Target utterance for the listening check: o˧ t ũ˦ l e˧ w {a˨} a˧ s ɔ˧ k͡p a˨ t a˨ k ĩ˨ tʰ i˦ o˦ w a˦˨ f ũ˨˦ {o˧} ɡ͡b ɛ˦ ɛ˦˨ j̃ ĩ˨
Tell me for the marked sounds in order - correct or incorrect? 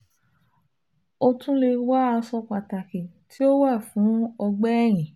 incorrect: a˦, incorrect: ɔ˧

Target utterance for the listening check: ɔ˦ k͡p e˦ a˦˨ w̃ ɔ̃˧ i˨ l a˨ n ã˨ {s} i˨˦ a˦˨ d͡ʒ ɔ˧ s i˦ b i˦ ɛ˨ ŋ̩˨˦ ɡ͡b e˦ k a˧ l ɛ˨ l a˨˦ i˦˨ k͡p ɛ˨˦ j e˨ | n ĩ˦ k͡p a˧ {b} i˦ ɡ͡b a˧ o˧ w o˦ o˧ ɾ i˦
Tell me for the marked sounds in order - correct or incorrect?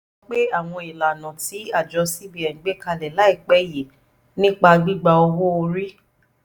incorrect: t, incorrect: ɡ͡b

